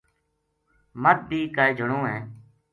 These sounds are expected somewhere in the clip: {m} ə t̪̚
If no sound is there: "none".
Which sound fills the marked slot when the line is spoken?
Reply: m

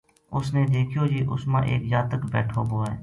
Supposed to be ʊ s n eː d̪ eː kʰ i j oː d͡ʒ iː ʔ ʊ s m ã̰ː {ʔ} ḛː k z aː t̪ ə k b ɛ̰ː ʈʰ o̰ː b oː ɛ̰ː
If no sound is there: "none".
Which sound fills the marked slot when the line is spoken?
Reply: ʔ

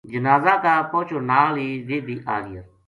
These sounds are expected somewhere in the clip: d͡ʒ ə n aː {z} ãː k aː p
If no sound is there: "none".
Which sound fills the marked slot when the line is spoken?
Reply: z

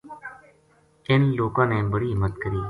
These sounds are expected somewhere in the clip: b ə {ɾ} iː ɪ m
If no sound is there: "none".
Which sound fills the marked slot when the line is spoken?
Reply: ɽ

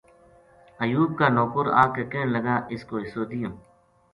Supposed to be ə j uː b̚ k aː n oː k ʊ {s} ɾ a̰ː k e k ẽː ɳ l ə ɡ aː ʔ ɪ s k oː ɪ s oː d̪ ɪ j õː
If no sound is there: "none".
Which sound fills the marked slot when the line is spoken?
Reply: none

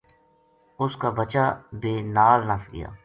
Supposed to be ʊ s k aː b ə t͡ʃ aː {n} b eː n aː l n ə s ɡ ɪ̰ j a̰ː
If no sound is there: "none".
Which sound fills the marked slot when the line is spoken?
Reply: none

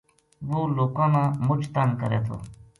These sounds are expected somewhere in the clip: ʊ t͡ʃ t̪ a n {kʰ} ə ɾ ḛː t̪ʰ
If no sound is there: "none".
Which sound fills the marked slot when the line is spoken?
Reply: k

